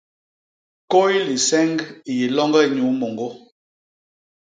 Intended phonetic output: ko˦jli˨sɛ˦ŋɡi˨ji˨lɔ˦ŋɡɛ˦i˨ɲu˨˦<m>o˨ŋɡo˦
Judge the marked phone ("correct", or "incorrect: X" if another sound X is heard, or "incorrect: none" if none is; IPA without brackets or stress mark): correct